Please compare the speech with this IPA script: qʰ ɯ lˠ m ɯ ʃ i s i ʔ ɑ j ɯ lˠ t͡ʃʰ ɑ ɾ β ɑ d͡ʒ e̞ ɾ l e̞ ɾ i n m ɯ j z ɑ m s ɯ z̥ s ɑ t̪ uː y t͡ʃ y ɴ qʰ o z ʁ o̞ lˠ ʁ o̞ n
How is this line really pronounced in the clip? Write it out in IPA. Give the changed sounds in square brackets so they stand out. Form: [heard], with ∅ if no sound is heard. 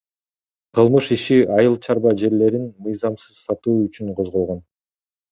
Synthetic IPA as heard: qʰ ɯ lˠ m ɯ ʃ i [ʃ] i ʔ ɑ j ɯ lˠ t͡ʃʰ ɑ ɾ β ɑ d͡ʒ e̞ ɾ l e̞ ɾ i n m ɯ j z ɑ m s ɯ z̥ s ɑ t̪ uː y t͡ʃ y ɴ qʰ o z ʁ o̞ lˠ ʁ o̞ n